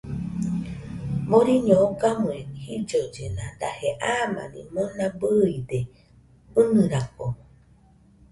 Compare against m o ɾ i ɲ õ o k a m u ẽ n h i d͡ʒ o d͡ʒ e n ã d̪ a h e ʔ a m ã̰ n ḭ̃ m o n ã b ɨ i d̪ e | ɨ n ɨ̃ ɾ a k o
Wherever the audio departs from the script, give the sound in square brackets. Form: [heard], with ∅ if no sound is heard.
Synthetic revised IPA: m o ɾ i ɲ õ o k a m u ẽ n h i d͡ʒ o d͡ʒ e n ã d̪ a h e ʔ a m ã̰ n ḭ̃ m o n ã b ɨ i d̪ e | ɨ n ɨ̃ ɾ a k o